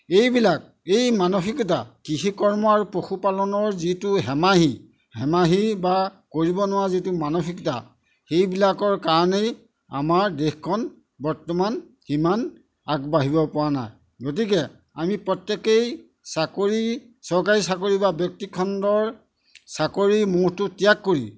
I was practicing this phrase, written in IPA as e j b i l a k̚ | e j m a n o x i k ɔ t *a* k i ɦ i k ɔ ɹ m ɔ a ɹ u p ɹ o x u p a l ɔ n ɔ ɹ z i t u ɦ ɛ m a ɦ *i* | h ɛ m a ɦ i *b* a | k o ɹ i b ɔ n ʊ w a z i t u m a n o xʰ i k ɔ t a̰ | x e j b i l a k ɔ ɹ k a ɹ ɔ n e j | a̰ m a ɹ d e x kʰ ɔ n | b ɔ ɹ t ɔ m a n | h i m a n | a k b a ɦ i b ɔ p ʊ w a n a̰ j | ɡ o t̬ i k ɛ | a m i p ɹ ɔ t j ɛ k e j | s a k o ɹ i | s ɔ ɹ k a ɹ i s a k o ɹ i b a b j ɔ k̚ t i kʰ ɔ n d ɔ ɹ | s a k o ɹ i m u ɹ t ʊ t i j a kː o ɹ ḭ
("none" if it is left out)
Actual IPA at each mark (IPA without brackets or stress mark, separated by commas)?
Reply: a, i, b